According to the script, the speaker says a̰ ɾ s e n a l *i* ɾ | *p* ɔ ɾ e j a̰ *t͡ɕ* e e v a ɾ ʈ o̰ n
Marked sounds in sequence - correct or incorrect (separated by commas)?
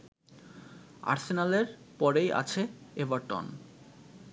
incorrect, correct, incorrect